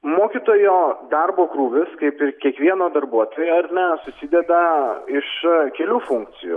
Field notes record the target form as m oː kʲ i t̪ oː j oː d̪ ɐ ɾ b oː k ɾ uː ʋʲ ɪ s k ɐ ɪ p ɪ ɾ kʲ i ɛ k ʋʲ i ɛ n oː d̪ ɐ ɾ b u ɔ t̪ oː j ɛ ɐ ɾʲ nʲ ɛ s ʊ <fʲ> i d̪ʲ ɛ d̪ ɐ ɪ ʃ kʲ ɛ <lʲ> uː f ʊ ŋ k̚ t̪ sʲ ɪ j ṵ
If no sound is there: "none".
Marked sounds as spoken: sʲ, lʲ

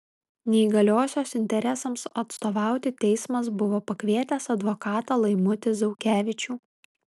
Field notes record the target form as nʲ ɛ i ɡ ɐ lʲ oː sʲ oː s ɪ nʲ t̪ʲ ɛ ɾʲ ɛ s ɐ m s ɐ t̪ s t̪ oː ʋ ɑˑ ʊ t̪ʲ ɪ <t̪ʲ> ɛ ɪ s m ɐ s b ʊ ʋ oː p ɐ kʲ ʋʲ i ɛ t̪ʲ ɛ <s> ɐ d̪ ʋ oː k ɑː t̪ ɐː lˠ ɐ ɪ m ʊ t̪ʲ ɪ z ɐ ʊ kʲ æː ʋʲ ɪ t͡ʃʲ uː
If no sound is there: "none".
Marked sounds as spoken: t̪ʲ, s

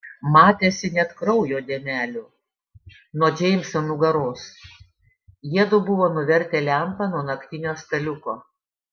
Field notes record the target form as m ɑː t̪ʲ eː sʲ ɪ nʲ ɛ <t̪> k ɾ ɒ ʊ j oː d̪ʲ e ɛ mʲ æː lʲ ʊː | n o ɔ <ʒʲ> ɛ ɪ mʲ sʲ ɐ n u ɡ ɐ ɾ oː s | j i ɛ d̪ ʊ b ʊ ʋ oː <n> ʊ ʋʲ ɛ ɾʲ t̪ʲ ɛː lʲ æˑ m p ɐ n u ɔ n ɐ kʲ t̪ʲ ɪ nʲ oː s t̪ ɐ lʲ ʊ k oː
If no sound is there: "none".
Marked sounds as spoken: t̪, d͡ʒʲ, n

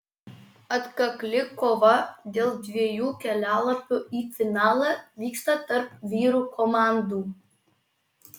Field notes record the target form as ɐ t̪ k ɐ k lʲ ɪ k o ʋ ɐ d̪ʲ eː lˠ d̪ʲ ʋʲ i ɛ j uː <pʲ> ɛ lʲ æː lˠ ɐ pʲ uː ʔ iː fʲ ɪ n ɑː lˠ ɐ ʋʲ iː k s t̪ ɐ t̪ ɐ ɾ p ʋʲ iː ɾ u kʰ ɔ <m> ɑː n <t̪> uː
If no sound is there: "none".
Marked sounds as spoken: kʲ, m, d̪

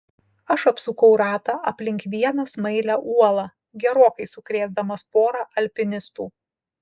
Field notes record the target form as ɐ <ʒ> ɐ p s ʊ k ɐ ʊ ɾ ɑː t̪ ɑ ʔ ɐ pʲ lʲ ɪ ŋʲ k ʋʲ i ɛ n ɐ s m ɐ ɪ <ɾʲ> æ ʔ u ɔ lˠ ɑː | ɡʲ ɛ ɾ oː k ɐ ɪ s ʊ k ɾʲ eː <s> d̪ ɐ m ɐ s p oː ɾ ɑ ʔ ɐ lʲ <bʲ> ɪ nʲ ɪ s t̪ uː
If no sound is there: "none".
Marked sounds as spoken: ʃ, lʲ, z, pʲ

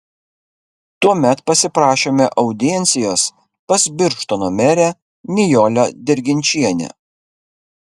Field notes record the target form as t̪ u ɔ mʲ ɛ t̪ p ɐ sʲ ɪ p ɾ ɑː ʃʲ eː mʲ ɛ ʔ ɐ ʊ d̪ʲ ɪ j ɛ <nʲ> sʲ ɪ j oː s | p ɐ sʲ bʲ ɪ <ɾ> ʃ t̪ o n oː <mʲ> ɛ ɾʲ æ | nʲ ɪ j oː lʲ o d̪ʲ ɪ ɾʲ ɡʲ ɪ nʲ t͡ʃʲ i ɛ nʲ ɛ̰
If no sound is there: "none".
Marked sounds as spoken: nʲ, ɾ, mʲ

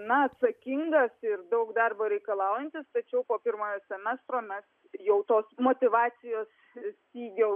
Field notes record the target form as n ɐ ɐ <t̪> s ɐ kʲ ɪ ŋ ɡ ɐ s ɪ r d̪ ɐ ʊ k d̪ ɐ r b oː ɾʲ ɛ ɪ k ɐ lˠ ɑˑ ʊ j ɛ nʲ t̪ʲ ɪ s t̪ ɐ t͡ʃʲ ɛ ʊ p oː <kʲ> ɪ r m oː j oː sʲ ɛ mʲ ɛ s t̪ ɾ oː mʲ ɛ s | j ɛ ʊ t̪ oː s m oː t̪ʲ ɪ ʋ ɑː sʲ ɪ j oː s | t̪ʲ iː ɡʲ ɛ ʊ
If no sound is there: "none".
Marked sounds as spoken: t̪, pʲ

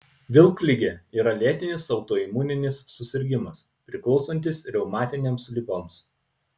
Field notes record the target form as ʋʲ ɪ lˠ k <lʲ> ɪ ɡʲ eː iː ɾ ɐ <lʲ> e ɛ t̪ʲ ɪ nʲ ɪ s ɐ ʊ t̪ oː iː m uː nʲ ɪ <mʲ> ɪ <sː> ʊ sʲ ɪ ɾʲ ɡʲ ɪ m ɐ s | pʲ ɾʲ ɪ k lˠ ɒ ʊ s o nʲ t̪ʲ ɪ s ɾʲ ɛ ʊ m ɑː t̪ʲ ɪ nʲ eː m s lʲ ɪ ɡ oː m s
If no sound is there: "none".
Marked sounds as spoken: lʲ, lʲ, nʲ, sː

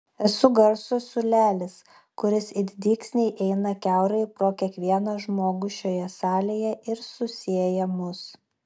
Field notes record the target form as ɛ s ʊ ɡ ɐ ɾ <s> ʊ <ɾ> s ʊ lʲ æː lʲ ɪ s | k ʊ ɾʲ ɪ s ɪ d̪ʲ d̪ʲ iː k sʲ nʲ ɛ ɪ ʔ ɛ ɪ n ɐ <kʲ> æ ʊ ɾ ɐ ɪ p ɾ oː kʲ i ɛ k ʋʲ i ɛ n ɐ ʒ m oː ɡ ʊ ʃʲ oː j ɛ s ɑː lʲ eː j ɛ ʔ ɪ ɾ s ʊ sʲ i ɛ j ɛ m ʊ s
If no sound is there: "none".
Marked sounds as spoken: s, none, kʲ

